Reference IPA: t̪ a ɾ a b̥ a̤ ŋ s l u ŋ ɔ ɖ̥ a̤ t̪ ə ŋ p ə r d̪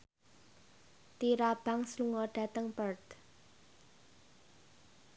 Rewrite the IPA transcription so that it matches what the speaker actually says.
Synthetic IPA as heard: t̪ i ɾ a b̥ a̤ ŋ s l u ŋ ɔ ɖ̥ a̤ t̪ ə ŋ p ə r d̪